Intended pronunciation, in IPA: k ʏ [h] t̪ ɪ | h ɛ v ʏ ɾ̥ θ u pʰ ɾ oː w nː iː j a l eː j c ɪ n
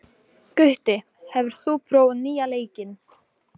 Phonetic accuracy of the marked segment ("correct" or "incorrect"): correct